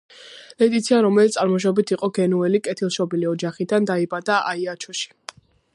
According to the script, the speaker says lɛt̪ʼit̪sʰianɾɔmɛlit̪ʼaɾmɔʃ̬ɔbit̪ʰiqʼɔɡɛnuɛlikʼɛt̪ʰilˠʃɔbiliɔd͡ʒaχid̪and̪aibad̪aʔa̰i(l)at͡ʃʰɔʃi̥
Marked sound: incorrect: none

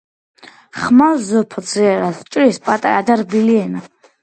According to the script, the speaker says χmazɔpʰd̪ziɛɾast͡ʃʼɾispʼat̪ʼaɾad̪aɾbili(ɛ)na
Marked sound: correct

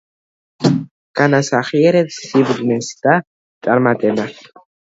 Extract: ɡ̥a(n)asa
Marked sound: correct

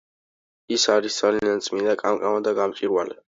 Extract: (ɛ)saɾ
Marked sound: incorrect: i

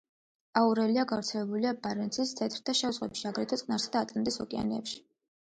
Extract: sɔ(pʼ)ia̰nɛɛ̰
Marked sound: incorrect: kʼ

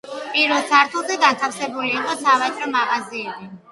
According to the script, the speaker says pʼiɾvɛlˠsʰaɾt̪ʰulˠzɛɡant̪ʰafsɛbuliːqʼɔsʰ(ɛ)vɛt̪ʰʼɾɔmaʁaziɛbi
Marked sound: incorrect: a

